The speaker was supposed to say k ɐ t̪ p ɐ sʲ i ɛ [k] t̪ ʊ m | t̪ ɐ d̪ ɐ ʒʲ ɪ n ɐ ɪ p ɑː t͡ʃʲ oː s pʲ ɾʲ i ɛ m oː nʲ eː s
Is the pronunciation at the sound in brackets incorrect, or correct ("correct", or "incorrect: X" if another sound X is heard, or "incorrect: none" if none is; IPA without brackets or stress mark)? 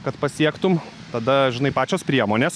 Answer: correct